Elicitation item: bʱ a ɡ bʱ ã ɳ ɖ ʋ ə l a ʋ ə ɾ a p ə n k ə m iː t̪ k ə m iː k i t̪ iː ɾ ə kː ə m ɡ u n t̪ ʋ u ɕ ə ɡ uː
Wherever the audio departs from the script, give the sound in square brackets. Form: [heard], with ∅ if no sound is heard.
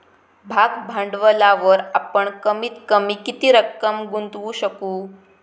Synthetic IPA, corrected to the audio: bʱ a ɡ bʱ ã ɳ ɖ ʋ ə l a ʋ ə ɾ a p ə [ɳ] k ə m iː t̪ k ə m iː k i t̪ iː ɾ ə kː ə m ɡ u n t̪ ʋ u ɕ ə [k] uː